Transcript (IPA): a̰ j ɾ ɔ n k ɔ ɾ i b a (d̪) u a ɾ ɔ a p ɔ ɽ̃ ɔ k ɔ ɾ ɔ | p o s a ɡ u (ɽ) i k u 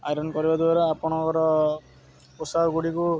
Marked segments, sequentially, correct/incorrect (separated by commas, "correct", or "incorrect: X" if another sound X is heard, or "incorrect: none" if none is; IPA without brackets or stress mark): correct, correct